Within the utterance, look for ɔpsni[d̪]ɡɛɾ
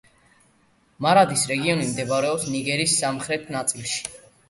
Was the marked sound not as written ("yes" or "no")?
yes